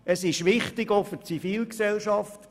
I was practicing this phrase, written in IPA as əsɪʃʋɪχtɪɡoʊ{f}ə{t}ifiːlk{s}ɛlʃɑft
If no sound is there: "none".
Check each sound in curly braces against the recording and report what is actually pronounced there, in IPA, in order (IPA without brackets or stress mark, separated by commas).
f, t͡s, s